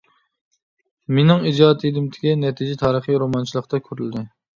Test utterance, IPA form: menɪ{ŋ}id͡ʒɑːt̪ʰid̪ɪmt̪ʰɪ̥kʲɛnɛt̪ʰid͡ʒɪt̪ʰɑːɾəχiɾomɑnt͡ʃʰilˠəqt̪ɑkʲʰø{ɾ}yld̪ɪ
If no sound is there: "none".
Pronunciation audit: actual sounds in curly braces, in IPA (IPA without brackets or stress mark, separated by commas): ŋ, ɾ